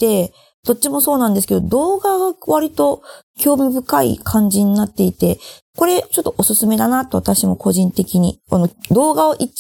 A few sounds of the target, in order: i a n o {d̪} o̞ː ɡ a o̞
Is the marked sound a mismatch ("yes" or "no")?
no